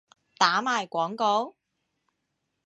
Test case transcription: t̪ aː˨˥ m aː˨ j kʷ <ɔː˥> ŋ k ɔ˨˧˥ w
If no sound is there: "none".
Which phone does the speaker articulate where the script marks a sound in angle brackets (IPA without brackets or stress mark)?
ɔː˨˥